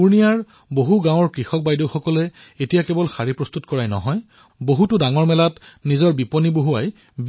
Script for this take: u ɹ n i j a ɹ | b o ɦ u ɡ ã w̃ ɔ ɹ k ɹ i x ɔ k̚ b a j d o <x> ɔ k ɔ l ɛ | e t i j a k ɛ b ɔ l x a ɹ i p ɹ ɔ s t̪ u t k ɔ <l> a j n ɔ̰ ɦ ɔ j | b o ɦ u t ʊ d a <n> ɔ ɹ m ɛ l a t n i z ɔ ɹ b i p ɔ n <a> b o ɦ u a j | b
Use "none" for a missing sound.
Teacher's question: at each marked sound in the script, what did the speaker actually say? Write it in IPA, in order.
x, ɹ, ŋ, i

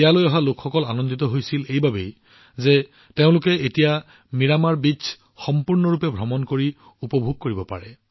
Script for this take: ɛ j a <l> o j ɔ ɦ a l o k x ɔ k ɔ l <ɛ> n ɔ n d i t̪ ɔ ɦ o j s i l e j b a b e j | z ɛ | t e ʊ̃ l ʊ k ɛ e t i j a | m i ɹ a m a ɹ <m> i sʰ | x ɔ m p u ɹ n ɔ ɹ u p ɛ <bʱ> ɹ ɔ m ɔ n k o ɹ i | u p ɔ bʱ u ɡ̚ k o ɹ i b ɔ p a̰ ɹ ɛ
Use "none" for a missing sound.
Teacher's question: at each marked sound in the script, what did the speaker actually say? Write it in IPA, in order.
l, a, b, bʱ

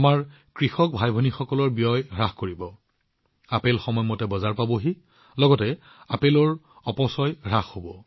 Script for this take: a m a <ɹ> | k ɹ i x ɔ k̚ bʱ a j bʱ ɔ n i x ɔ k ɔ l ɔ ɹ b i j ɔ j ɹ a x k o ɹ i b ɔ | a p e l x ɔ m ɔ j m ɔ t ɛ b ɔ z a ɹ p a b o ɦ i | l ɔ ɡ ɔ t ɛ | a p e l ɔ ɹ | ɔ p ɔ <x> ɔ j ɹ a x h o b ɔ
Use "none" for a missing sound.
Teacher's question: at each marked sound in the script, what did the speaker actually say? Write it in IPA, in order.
ɹ, s

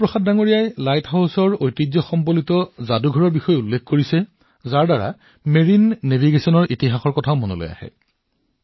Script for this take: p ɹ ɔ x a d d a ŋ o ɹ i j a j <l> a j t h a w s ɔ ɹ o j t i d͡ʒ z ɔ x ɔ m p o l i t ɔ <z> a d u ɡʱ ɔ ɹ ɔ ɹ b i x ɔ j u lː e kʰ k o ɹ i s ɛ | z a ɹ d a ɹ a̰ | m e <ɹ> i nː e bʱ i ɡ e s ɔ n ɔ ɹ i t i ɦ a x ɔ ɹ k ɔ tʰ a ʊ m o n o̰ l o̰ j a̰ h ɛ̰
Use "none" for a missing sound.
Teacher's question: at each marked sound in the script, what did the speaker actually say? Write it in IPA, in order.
l, z, ɹ

